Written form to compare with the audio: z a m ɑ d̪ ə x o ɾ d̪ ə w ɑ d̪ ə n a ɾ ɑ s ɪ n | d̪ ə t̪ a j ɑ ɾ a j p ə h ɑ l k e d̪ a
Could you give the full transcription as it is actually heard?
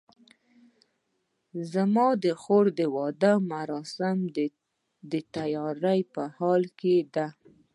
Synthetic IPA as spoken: z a m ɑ d̪ ə x o ɾ d̪ ə w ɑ d̪ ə m a ɾ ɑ s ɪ m | d̪ ə t̪ a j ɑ ɾ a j p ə h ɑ l k e d̪ a